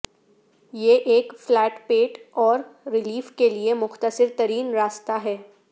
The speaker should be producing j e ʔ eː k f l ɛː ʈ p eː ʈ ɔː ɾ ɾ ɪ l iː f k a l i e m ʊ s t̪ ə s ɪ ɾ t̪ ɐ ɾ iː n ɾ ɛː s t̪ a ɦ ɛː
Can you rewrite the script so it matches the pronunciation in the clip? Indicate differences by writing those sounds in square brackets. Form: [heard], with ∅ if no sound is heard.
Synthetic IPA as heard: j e ʔ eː k f l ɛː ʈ p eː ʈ ɔː ɾ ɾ ɪ l iː f k [e] l i e m ʊ [x] t̪ ə s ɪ ɾ t̪ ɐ ɾ iː n ɾ [aː] s t̪ a ɦ ɛː